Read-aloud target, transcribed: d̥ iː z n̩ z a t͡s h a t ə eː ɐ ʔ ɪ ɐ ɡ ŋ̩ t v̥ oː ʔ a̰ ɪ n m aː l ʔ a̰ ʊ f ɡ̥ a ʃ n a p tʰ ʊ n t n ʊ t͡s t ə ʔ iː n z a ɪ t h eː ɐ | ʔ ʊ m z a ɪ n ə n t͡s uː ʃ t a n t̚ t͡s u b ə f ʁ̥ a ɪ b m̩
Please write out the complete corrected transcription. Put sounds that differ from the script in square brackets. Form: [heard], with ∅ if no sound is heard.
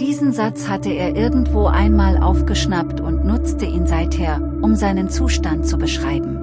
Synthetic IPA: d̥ iː z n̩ z a t͡s h a t ə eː ɐ ʔ ɪ ɐ ɡ ŋ̩ t v̥ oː ʔ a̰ ɪ n m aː l ʔ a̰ ʊ f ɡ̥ [ə] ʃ n a p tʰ ʊ n t n ʊ t͡s t ə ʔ iː n z a ɪ t h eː ɐ | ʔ ʊ m z a ɪ n ə n t͡s uː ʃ t a n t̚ t͡s u b ə [ʃ] ʁ̥ a ɪ b m̩